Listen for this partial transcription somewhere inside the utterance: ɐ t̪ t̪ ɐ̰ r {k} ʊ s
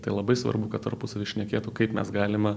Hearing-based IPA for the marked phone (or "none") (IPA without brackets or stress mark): p